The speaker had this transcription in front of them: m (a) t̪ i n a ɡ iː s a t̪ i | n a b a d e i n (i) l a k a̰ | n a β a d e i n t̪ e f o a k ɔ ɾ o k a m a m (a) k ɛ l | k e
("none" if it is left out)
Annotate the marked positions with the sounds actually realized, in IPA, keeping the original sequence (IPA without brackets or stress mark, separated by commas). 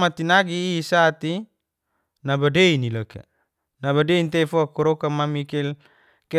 a, i, i